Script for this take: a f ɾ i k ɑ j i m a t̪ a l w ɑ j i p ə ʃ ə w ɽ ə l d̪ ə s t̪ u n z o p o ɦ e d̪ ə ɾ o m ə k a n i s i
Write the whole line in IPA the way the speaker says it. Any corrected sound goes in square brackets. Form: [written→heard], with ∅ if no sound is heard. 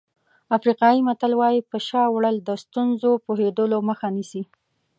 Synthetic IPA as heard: a f ɾ i [k→q] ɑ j i m a t̪ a l w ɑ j i p ə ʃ [ə→ɑ] w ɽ ə l d̪ ə s t̪ u n z o p o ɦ e d̪ ə [ɾ→l] o m ə [k→x] a n i s i